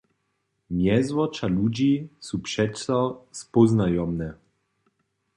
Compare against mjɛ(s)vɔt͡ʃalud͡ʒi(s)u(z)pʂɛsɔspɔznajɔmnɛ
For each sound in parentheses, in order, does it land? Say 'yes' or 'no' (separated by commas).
no, yes, no